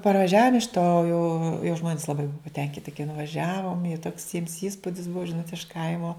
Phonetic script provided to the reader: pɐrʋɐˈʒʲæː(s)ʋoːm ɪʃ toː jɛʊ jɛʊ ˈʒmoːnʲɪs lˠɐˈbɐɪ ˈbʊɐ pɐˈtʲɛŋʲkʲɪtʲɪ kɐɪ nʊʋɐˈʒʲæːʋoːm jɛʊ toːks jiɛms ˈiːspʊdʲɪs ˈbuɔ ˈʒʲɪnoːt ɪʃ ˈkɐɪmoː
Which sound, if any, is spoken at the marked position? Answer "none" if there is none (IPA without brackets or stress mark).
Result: none